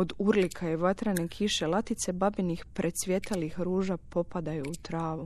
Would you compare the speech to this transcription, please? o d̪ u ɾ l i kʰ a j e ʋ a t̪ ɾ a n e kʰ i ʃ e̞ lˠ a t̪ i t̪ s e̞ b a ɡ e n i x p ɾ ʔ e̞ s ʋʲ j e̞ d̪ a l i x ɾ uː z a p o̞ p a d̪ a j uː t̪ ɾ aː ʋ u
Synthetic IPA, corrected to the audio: o d̪ u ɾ l i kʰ a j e ʋ a t̪ ɾ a n e kʰ i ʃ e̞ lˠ a t̪ i t̪ s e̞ b a b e n i x p ɾ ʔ e̞ s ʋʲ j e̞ t̪ a l i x ɾ uː ʒ a p o̞ p a d̪ a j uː t̪ ɾ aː ʋ u